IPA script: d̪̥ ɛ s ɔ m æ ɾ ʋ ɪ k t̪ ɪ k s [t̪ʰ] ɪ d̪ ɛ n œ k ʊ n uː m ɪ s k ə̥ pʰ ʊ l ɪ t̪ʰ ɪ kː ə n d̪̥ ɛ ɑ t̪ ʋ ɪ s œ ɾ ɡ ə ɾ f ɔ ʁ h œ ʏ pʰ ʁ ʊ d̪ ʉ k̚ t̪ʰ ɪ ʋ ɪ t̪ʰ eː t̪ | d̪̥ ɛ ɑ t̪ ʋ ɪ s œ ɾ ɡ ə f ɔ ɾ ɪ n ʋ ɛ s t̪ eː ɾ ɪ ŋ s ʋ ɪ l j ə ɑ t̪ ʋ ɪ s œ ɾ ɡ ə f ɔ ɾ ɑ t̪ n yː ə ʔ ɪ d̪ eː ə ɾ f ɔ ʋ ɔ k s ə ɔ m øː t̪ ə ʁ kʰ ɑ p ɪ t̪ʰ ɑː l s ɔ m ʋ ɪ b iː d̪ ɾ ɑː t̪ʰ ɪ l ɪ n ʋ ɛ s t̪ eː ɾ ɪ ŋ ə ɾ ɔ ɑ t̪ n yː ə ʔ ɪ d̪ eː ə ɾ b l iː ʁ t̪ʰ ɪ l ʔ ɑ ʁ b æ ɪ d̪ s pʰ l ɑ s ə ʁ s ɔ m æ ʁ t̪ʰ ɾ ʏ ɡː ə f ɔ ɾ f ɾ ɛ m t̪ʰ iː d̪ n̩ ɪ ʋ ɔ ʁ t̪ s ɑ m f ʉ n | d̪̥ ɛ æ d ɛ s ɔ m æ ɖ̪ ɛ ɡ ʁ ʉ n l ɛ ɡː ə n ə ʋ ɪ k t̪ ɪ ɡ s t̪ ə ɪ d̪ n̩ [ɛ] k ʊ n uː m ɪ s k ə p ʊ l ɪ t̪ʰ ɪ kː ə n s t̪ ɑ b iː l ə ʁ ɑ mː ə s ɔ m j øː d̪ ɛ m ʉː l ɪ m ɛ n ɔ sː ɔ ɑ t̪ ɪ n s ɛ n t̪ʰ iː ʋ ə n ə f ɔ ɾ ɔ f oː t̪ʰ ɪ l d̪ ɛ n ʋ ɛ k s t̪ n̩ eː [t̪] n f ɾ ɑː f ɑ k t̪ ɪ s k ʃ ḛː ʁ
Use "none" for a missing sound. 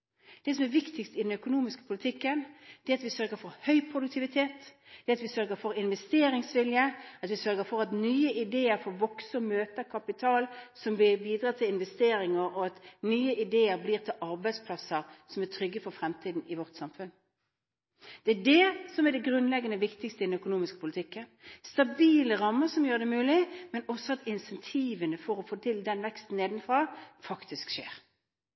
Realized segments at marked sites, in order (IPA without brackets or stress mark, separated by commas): t̪, œ, d̪